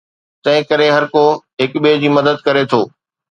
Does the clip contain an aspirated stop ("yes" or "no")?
yes